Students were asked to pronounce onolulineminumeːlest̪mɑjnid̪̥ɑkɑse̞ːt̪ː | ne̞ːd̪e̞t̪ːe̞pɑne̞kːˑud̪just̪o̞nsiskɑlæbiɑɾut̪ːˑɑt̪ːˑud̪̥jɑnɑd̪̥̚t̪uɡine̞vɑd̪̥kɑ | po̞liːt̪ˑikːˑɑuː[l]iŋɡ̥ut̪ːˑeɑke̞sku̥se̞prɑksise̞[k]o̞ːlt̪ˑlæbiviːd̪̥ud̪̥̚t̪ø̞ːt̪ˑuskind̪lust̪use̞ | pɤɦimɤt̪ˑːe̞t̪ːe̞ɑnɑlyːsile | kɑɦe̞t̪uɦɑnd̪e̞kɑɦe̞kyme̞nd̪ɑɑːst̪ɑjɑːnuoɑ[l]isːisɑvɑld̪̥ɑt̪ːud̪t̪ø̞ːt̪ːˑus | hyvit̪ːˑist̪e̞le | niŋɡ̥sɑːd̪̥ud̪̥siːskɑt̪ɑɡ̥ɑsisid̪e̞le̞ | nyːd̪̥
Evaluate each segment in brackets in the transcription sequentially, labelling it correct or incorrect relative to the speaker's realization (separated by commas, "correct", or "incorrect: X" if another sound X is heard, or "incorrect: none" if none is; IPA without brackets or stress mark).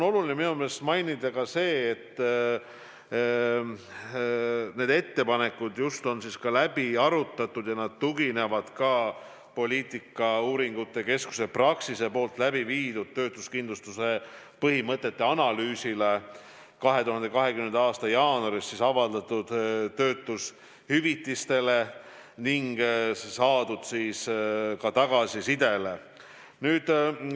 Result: incorrect: ɾ, incorrect: p, incorrect: ɾ